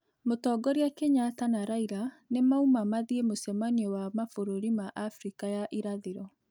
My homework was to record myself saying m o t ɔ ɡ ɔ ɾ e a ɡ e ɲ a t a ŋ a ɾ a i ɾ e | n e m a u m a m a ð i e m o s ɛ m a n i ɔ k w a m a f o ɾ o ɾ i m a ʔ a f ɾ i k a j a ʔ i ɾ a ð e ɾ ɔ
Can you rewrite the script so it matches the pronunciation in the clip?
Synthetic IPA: m o t ɔ ɡ ɔ ɾ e a k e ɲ a t a n a ɾ a i ɾ a | n e m a u m a m a ð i e m o s ɛ m a n i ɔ w a m a f o ɾ o ɾ i m a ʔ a f ɾ i k a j a ʔ i ɾ a ð e ɾ ɔ